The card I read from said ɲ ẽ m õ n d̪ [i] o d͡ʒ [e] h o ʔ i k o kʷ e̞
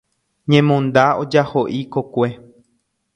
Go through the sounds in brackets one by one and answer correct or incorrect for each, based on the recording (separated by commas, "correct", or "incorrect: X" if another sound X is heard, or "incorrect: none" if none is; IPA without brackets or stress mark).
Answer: incorrect: a, incorrect: a